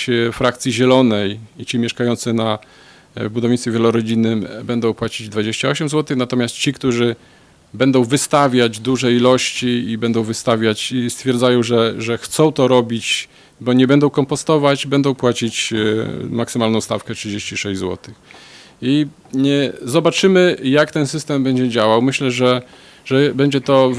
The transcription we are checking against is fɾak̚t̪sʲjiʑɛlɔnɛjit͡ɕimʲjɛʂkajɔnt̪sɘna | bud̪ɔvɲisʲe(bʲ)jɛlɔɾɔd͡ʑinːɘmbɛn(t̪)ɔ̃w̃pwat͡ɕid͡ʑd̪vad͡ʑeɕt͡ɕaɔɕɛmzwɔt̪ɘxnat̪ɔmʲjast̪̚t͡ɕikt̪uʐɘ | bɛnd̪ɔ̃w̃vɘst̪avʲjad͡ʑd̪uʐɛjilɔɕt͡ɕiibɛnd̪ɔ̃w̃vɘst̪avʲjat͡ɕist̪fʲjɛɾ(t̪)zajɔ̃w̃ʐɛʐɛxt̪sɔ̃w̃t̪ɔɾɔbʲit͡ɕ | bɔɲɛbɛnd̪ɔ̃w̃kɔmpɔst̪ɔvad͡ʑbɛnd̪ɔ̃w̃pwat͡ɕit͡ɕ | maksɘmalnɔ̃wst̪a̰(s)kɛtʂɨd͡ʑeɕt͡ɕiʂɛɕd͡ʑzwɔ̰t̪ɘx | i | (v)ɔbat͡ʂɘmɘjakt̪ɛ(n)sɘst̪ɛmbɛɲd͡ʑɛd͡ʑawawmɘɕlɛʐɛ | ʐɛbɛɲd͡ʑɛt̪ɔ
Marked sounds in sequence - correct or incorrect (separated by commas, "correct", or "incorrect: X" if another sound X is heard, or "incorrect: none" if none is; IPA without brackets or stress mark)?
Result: incorrect: vʲ, incorrect: d̪, incorrect: d̪, incorrect: f, incorrect: z, correct